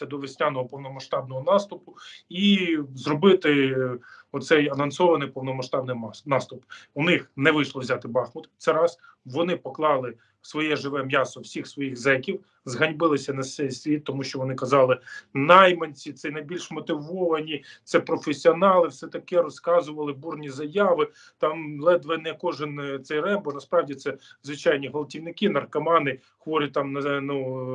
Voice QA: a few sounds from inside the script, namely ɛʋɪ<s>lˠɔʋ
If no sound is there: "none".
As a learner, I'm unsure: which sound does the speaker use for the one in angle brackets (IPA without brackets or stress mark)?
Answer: ʃ